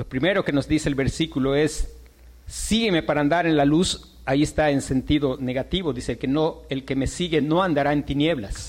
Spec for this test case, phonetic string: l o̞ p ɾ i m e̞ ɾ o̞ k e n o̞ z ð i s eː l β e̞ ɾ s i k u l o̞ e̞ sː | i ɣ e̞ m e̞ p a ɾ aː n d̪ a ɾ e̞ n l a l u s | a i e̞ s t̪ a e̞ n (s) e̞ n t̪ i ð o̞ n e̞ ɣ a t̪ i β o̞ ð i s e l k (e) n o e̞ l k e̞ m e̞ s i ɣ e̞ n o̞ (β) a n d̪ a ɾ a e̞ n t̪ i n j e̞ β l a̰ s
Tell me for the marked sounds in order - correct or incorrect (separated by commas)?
correct, correct, incorrect